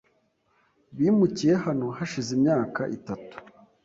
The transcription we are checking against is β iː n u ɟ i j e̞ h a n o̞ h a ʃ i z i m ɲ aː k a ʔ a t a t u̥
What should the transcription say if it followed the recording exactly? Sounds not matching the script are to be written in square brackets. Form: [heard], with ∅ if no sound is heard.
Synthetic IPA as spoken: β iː [m] u [c] i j e̞ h a n o̞ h a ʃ i z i m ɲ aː k a ʔ [i] t a t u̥